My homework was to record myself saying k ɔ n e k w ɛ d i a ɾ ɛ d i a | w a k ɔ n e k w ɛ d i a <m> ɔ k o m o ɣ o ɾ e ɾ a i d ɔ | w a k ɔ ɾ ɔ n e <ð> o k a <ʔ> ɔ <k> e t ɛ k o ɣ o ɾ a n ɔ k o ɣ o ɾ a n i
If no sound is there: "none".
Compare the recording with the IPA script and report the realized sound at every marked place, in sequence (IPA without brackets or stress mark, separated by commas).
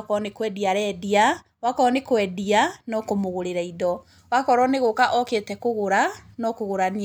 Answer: n, ɣ, ʔ, k